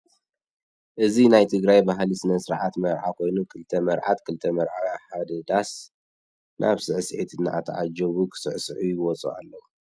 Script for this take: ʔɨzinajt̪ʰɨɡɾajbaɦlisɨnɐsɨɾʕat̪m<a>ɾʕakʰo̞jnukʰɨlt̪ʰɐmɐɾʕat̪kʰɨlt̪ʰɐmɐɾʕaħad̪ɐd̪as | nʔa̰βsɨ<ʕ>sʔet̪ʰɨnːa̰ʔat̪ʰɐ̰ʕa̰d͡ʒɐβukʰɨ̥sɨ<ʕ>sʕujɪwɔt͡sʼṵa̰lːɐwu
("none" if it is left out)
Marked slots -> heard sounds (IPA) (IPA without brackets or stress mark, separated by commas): ɐ, ʕ, ʕ